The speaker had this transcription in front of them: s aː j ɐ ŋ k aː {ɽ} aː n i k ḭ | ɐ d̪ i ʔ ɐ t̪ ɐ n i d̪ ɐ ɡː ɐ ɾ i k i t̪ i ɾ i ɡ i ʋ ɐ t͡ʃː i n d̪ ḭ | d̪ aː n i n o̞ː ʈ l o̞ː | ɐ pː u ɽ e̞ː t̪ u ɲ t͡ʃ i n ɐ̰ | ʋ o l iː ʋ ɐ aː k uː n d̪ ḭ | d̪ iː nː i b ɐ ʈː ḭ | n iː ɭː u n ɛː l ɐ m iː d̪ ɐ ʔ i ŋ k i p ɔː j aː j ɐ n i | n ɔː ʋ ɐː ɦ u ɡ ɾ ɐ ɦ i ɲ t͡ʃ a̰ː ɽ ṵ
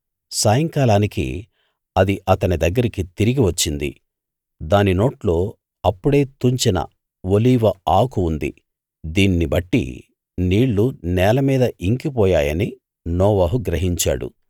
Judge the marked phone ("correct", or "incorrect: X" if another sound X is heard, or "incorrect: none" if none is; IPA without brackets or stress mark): incorrect: l